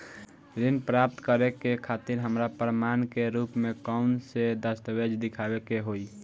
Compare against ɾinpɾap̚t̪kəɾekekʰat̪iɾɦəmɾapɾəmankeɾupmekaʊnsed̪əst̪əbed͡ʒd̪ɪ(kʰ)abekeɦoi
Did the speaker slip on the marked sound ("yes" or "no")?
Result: no